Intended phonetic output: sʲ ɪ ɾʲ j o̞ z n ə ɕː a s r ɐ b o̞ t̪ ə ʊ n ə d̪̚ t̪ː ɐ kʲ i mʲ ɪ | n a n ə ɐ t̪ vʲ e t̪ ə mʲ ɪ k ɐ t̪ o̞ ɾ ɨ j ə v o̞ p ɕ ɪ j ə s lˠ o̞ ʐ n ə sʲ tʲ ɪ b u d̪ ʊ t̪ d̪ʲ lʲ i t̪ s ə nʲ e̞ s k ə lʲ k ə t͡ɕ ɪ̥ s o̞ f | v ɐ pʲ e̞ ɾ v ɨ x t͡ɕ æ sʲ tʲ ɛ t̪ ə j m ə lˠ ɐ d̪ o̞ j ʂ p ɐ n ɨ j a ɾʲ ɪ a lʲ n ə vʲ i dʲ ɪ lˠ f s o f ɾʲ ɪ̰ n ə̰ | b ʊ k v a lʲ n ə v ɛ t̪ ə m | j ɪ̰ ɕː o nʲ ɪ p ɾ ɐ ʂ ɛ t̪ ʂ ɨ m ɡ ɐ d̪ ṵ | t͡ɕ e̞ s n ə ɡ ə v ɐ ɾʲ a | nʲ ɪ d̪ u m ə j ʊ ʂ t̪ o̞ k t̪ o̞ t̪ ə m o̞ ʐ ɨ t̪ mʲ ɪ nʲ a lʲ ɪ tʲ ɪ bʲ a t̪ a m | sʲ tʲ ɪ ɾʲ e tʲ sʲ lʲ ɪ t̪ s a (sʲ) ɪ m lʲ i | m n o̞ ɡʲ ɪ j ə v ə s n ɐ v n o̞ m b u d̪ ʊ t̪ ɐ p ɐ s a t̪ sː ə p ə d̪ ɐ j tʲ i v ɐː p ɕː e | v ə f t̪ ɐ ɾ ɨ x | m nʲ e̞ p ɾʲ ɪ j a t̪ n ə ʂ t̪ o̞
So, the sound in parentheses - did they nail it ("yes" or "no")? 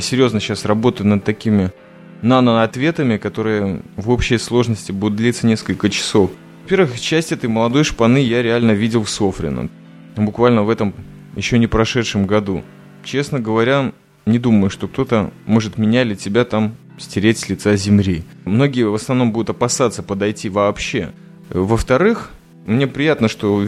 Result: no